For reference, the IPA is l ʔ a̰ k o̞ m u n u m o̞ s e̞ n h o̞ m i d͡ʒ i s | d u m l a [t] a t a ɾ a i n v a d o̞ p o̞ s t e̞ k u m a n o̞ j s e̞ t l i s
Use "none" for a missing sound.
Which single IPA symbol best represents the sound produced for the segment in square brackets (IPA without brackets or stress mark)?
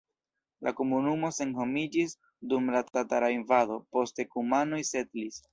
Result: t